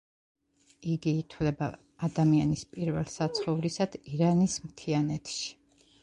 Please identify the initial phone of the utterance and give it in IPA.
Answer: i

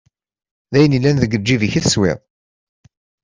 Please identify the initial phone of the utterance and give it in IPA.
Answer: ð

